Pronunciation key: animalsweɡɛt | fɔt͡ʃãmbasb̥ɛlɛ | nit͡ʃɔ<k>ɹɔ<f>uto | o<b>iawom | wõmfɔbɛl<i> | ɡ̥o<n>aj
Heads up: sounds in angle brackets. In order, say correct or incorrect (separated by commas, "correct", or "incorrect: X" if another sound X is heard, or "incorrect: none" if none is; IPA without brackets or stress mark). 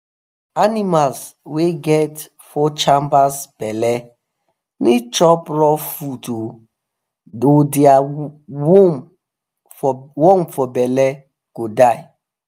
incorrect: p, correct, incorrect: d, incorrect: ɛ, incorrect: d